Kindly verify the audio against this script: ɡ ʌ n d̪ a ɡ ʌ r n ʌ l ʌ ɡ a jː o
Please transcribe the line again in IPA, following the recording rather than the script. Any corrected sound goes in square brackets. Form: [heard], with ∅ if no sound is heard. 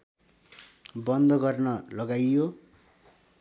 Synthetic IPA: [b] ʌ n d̪ [ʌ] ɡ ʌ r n ʌ l ʌ ɡ a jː o